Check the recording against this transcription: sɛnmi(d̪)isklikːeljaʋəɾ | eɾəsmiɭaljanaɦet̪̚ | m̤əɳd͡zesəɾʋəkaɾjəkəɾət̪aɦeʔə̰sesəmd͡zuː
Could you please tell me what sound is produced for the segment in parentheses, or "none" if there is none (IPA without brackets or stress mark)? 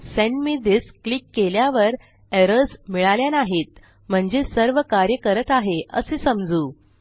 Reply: d̪